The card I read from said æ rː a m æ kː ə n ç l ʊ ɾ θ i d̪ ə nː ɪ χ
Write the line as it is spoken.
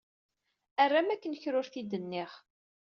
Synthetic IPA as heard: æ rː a m æ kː ə n ç ɾ ʊ ɾ θ i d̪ ə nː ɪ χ